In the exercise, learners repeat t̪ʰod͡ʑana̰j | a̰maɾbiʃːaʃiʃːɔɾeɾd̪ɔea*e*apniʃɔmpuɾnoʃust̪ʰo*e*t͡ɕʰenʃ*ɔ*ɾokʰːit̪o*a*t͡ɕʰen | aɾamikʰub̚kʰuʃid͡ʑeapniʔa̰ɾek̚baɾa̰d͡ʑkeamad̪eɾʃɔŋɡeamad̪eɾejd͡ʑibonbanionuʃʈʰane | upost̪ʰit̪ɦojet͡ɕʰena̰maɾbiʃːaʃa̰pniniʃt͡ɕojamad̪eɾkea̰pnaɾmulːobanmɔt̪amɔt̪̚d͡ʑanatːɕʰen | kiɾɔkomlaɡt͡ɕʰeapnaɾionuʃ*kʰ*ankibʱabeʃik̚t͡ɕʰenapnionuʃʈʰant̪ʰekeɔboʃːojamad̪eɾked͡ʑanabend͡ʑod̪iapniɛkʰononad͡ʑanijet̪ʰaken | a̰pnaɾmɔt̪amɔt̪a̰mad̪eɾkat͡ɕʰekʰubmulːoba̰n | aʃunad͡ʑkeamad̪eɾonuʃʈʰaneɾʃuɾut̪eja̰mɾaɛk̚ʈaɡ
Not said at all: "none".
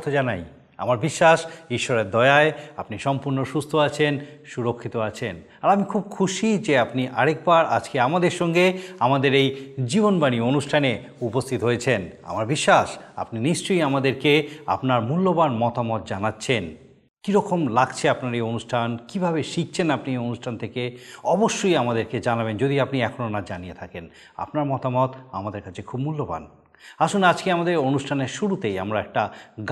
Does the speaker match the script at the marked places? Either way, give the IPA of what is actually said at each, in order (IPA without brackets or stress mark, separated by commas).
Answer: e, a, u, a, ʈʰ